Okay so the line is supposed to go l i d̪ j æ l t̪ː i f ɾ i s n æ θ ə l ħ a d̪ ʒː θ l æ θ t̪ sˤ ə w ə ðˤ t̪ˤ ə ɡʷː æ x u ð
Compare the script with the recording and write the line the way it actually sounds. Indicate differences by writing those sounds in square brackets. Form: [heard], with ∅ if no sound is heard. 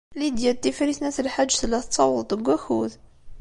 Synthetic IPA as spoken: l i d̪ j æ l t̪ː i f ɾ i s n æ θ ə l ħ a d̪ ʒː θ l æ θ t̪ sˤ [ɑ] w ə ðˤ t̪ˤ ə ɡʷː æ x u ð